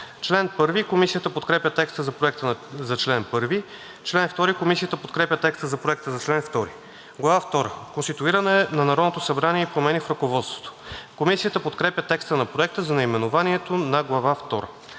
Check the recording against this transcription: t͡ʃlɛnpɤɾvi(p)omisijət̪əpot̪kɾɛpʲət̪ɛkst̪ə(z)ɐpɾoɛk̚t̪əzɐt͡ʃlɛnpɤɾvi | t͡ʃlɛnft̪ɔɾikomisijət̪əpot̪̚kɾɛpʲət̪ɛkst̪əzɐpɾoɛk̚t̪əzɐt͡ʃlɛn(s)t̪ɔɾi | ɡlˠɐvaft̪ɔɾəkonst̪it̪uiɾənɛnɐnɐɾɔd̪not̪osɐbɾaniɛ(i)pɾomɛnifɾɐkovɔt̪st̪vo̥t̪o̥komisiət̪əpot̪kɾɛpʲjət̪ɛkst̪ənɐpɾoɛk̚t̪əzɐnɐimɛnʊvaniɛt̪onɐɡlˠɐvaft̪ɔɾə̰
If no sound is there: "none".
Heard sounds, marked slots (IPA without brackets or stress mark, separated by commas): k, z, f, i